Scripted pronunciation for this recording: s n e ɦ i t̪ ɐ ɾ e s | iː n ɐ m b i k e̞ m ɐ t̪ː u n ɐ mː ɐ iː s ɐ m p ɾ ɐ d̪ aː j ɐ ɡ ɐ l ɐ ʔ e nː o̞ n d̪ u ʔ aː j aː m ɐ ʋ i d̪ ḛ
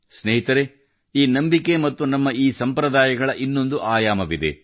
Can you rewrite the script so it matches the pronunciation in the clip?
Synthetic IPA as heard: s n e ɦ i t̪ ɐ ɾ e | iː n ɐ m b i k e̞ m ɐ t̪ː u n ɐ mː ɐ iː s ɐ m p ɾ ɐ d̪ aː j ɐ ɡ ɐ ɭ ɐ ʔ i nː o̞ n d̪ u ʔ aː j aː m ɐ ʋ i d̪ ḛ